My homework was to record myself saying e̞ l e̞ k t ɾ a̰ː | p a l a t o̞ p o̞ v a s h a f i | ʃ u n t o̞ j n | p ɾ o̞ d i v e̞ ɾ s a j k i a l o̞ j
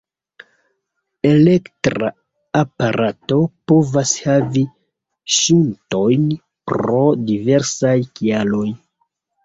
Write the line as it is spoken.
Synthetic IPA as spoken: e̞ l e̞ k t ɾ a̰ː | p a ɾ a t o̞ p o̞ v a s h a v i | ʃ u n t o̞ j n | p ɾ o̞ d i v e̞ ɾ s a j k i a l o̞ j

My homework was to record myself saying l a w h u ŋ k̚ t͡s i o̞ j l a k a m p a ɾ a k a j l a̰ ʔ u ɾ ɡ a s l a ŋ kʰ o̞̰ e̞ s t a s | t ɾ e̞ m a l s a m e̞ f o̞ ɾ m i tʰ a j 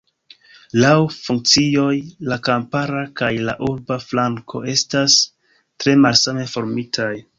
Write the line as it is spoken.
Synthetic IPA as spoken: l a w f u ŋ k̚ t͡s i o̞ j l a k a m p a ɾ a k a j l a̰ ʔ u ɾ b a f l a ŋ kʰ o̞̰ e̞ s t a s | t ɾ e̞ m a l s a m e̞ f o̞ ɾ m i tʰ a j

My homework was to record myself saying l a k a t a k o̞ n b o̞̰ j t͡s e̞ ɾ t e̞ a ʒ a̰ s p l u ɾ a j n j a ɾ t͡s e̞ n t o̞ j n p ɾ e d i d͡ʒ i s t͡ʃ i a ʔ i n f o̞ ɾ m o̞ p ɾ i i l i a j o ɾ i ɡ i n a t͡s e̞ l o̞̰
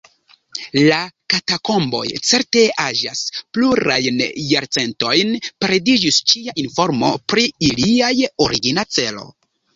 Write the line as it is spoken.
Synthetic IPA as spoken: l a k a t a k o̞ m b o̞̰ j t͡s e̞ ɾ t e̞ a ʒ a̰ s p l u ɾ a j n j a ɾ t͡s e̞ n t o̞ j n p ɾ e d i d͡ʒ i s t͡ʃ i a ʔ i n f o̞ ɾ m o̞ p ɾ i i l i a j o ɾ i ɡ i n a t͡s e̞ l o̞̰

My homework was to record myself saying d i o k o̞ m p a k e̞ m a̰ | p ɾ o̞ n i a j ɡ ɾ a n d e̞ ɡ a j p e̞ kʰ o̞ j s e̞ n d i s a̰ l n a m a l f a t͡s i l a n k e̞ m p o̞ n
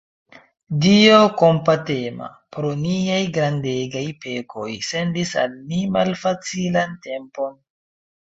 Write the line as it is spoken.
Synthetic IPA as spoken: d i o k o̞ m p a t e̞ m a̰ | p ɾ o̞ n i a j ɡ ɾ a n d e̞ ɡ a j p e̞ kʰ o̞ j s e̞ n d i s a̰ l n i m a l f a t͡s i l a n t e̞ m p o̞ n

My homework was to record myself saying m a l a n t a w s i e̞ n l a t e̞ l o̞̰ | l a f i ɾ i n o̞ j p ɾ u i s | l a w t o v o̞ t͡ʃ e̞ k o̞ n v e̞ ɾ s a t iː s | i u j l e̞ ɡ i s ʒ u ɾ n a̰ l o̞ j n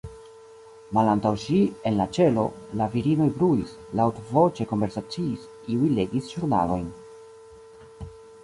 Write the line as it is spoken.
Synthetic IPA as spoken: m a l a n t a w ʃ i e̞ n l a t͡ʃ e̞ l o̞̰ | l a v i ɾ i n o̞ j b ɾ u i s | l a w t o v o̞ t͡ʃ e̞ k o̞ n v e̞ ɾ s a t͡s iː s | i u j l e̞ ɡ i s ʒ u ɾ n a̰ l o̞ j n

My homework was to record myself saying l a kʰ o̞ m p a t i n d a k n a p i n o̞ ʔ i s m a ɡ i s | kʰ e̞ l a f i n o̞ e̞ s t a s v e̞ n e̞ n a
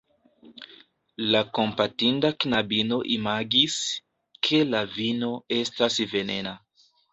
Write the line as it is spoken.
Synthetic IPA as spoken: l a k o̞ m p a t i n d a k n a b i n o̞ ʔ i m a ɡ i s | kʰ e̞ l a v i n o̞ e̞ s t a s v e̞ n e̞ n a

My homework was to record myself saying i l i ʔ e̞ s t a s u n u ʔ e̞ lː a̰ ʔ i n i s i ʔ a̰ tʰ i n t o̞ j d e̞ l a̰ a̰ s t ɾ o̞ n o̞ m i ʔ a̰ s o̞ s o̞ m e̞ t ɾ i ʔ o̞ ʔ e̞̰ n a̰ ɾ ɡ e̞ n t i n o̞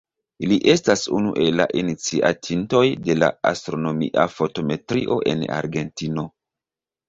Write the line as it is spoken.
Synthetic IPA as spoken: i l i ʔ e̞ s t a s u n u ʔ e̞ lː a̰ ʔ i n i t͡s i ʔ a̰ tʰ i n t o̞ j d e̞ l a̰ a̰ s t ɾ o̞ n o̞ m i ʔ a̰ f o̞ t o̞ m e̞ t ɾ i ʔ o̞ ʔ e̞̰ n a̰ ɾ ɡ e̞ n t i n o̞

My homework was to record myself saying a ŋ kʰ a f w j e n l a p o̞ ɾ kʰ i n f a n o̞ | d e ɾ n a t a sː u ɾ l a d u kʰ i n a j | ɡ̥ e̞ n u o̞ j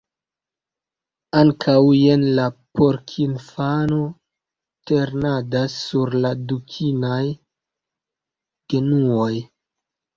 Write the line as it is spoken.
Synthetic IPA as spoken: a ŋ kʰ a w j e n l a p o̞ ɾ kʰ i n f a n o̞ | t e ɾ n a d a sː u ɾ l a d u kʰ i n a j | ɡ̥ e̞ n u o̞ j

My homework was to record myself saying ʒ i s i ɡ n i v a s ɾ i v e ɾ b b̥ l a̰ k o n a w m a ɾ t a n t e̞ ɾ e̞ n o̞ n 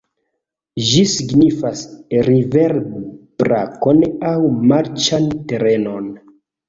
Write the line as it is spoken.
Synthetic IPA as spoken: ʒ i s i ɡ n i f a s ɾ i v e ɾ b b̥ ɾ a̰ k o n a w m a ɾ t͡ʃ a n t e̞ ɾ e̞ n o̞ n

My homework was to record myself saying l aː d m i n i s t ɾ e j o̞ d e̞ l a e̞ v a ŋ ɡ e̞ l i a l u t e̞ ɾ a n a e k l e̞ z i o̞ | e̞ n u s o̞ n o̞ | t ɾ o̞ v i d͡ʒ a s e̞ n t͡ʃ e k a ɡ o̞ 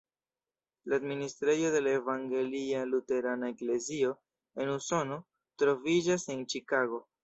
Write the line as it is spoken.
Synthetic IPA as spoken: l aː d m i n i s t ɾ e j o̞ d e̞ l a e̞ v a ŋ ɡ e̞ l i a l u t e̞ ɾ a n a e k l e̞ z i o̞ | e̞ n u s o̞ n o̞ | t ɾ o̞ v i d͡ʒ a s e̞ n t͡ʃ i k a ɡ o̞

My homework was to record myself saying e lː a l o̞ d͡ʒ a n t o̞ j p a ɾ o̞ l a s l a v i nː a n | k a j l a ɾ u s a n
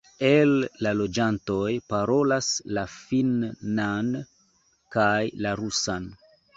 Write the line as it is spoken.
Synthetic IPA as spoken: e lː a l o̞ d͡ʒ a n t o̞ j p a ɾ o̞ l a s l a f i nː a n | k a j l a ɾ u s a n

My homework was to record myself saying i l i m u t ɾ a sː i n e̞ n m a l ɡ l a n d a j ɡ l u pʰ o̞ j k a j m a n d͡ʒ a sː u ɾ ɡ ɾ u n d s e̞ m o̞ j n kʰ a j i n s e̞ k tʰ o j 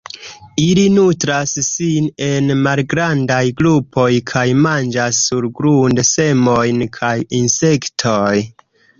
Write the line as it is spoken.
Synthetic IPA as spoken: i l i n u t ɾ a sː i n e̞ n m a l ɡ ɾ a n d a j ɡ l u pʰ o̞ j kʰ a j m a n d͡ʒ a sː u ɾ ɡ ɾ u n d s e̞ m o̞ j n kʰ a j i n s e̞ k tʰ o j

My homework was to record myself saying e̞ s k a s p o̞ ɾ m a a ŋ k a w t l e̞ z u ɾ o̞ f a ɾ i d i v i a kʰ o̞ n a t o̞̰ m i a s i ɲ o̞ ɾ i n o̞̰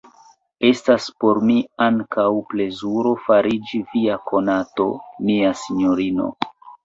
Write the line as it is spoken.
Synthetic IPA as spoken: e̞ s t a s p o̞ ɾ m i a ŋ k a w p l e̞ z u ɾ o̞ f a ɾ i d͡ʒ i v i a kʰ o̞ n a t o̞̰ m i a s i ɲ o̞ ɾ i n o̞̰

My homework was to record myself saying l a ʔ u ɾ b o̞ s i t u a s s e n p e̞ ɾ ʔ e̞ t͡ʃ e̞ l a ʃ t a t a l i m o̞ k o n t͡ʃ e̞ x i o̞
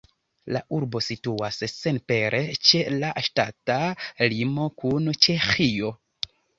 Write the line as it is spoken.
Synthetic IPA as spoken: l a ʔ u ɾ b o̞ s i t u a s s e n p e̞ ɾ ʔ e̞ t͡ʃ e̞ l a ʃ t a t a l i m o̞ k u n t͡ʃ e̞ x i o̞

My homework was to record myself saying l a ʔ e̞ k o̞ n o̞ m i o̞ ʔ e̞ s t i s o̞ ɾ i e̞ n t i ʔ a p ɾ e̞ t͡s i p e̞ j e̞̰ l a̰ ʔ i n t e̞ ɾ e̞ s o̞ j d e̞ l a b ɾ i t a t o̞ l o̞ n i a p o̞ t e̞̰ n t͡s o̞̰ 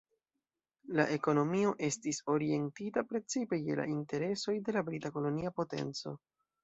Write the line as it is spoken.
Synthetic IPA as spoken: l a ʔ e̞ k o̞ n o̞ m i o̞ ʔ e̞ s t i s o̞ ɾ i e̞ n t i t a p ɾ e̞ t͡s i p e̞ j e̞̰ l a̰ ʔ i n t e̞ ɾ e̞ s o̞ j d e̞ l a b ɾ i t a k o̞ l o̞ n i a p o̞ t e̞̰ n t͡s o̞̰

